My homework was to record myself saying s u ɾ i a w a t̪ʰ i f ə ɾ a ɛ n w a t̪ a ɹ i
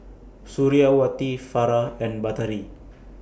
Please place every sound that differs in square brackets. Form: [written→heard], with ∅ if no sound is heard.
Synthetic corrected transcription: s u ɾ i a w a [t̪ʰ→t̪] i f [ə→a] ɾ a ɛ n [w→b] a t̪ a [ɹ→ɾ] i